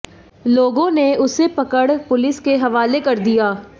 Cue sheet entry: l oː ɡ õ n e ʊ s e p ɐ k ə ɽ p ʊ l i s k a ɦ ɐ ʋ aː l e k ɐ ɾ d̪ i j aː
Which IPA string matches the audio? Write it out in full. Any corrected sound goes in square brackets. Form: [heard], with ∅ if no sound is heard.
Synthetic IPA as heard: l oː ɡ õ n e ʊ s e p ɐ k ə ɽ p ʊ l [ɪ] s k [e] ɦ ɐ ʋ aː l e k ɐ ɾ d̪ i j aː